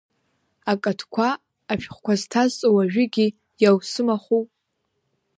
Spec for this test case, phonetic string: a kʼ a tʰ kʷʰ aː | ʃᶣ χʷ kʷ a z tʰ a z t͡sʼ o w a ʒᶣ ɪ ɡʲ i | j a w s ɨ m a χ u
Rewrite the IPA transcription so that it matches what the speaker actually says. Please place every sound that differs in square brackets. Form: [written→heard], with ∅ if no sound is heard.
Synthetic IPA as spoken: a kʼ a tʰ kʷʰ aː | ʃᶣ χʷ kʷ a z tʰ a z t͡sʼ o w a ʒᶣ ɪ ɡʲ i | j a w s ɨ m a χ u